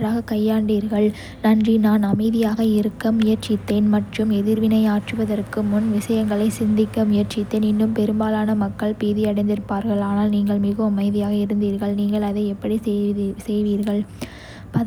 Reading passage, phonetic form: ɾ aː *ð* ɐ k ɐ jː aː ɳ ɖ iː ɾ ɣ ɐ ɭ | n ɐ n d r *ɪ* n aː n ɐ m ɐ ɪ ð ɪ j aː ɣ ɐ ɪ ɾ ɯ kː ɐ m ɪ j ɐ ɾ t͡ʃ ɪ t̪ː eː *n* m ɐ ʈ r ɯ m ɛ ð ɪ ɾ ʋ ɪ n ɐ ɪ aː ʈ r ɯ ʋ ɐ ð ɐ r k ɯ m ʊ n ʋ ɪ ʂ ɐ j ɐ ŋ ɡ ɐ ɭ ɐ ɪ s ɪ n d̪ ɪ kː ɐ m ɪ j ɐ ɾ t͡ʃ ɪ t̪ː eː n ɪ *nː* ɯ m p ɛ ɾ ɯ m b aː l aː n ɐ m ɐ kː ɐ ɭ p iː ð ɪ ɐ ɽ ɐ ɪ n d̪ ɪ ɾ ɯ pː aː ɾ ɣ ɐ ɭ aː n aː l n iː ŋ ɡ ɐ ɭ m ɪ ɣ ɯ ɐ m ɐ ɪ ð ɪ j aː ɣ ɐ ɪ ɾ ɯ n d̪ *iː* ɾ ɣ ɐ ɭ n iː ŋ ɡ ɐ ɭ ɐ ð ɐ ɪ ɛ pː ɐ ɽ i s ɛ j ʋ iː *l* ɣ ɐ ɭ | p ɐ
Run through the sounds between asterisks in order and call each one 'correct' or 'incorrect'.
incorrect, incorrect, correct, correct, correct, incorrect

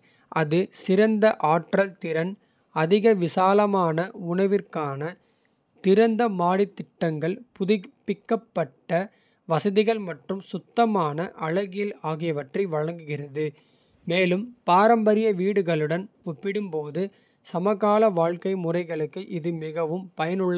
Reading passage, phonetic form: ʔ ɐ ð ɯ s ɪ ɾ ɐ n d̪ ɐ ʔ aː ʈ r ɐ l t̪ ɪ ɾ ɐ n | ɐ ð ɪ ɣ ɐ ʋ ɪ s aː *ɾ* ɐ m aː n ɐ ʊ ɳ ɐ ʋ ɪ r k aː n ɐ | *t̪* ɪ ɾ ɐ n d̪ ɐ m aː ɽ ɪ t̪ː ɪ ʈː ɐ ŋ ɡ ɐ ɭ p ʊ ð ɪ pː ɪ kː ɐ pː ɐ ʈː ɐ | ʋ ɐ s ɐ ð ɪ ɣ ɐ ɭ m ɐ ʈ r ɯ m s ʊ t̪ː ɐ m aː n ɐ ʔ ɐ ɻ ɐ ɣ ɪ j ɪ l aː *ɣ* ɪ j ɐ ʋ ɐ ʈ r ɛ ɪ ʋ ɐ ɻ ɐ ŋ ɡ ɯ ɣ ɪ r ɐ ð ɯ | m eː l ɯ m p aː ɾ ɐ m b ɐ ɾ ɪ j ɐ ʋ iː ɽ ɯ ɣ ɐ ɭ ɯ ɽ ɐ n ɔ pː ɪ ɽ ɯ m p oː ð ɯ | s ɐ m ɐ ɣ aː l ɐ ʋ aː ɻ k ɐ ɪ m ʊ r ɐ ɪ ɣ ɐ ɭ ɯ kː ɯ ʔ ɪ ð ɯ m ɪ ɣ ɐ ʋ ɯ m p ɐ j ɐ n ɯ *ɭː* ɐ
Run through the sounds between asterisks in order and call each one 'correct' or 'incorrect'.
incorrect, correct, correct, correct

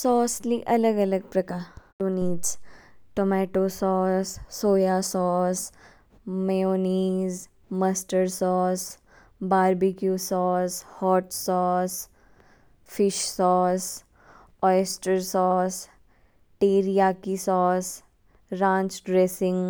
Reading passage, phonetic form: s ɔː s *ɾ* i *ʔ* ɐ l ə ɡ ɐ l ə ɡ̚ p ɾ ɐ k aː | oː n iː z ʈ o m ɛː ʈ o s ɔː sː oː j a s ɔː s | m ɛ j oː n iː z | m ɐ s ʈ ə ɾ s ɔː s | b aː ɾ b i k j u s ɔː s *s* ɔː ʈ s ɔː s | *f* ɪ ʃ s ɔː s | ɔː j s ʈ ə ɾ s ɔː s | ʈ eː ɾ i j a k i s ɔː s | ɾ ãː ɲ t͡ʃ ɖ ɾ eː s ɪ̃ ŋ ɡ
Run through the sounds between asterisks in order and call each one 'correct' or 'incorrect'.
incorrect, correct, incorrect, correct

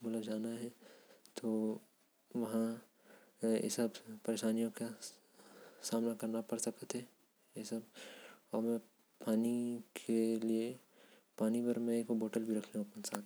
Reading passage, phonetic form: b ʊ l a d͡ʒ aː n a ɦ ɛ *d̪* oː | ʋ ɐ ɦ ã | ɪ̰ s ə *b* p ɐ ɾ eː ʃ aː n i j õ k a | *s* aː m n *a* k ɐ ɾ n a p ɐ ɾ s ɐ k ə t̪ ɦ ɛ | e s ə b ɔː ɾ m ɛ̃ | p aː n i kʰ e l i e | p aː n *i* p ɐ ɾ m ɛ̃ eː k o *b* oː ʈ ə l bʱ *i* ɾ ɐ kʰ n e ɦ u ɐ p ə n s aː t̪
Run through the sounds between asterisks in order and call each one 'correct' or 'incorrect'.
incorrect, correct, correct, correct, correct, correct, correct

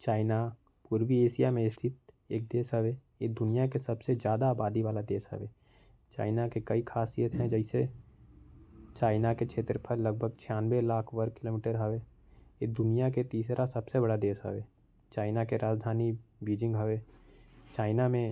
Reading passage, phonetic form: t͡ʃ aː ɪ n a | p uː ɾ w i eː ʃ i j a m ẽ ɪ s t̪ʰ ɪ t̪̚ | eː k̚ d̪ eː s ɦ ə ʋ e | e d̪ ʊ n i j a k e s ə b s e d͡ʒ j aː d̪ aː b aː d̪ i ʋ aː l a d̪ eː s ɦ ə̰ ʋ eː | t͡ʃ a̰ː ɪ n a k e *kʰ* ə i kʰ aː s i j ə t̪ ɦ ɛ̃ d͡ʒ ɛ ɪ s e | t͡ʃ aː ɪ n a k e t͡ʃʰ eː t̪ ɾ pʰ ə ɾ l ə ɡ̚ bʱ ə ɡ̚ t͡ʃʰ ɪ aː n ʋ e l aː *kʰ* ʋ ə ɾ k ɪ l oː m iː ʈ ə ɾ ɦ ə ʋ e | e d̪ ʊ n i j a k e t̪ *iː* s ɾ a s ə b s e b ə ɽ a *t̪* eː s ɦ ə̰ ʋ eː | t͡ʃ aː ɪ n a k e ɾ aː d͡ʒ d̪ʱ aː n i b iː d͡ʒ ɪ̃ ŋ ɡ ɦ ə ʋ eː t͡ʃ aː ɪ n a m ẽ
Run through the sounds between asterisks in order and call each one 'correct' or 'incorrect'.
incorrect, correct, correct, incorrect

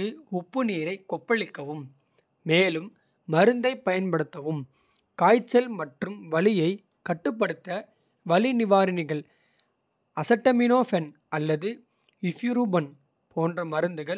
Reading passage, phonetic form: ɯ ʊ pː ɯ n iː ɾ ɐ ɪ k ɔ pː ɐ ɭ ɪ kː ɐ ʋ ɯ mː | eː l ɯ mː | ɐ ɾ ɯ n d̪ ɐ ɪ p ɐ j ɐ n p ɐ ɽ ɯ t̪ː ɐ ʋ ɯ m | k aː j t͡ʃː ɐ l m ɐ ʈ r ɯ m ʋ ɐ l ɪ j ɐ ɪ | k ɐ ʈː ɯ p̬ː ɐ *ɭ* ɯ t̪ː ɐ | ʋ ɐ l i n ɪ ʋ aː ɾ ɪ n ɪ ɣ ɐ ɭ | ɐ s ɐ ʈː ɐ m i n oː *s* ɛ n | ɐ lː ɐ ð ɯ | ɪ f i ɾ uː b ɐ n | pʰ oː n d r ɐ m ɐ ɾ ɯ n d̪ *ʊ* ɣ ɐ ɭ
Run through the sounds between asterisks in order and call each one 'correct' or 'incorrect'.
incorrect, incorrect, incorrect

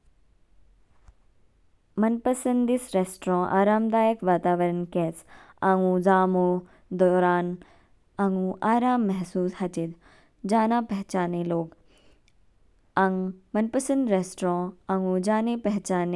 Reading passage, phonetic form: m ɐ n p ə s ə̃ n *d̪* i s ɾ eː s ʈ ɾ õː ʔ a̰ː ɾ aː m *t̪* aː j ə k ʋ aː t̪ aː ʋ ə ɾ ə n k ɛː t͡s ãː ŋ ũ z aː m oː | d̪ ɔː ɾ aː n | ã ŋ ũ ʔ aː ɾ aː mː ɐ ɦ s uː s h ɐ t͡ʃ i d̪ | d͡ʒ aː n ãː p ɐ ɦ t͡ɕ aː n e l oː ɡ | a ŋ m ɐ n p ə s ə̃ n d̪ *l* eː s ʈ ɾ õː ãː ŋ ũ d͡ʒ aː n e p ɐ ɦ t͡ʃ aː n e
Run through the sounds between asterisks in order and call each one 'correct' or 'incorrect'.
correct, incorrect, incorrect

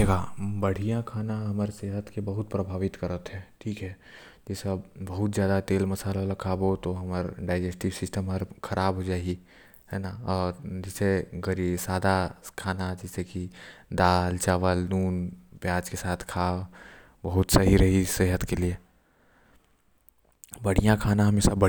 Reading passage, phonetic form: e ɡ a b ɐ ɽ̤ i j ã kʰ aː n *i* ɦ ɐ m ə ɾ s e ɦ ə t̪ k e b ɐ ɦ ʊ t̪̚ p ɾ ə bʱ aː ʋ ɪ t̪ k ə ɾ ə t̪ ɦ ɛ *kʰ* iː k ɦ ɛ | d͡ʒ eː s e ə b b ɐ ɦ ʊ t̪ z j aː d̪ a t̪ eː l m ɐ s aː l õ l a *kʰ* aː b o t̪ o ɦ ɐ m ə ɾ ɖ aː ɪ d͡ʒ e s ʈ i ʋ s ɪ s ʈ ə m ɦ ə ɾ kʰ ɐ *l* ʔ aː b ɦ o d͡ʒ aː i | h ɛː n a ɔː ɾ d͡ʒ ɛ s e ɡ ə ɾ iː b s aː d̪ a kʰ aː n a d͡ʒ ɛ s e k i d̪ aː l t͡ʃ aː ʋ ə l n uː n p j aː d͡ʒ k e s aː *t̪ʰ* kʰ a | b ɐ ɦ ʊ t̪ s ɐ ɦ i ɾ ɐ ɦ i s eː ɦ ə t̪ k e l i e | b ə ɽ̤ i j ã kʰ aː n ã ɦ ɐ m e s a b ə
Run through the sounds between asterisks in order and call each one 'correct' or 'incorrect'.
incorrect, incorrect, correct, incorrect, correct

